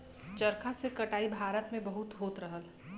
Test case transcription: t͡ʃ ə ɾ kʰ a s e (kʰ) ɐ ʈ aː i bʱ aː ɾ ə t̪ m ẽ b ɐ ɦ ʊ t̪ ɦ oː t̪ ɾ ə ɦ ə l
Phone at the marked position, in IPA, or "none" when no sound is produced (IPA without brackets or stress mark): k